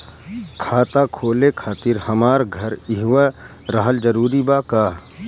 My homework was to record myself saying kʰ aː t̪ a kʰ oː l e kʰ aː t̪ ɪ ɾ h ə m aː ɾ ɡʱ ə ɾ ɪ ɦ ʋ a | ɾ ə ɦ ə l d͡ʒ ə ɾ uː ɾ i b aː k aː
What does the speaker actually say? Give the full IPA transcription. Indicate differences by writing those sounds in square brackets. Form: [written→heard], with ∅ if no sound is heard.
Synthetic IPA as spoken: kʰ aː t̪ a kʰ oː l e kʰ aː t̪ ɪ ɾ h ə m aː ɾ ɡʱ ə ɾ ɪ ɦ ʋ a | ɾ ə ɦ ə l d͡ʒ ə ɾ uː ɾ i b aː k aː